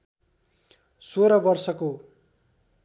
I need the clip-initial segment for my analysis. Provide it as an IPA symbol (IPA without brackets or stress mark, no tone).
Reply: s